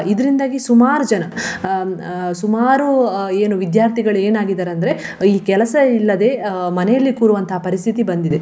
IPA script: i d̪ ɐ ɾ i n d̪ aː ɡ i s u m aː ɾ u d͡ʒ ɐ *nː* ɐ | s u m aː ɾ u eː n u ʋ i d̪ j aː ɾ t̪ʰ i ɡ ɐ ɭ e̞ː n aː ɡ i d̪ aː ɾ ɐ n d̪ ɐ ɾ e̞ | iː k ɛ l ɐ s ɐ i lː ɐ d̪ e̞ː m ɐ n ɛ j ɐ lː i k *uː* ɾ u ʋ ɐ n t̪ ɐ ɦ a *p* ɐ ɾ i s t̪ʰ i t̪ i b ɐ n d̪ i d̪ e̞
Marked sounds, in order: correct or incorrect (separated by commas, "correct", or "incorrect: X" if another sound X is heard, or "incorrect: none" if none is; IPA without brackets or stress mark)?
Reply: incorrect: n, correct, correct